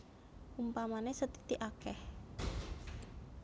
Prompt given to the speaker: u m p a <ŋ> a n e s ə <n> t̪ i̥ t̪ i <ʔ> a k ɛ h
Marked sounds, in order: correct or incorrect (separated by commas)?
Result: incorrect, incorrect, correct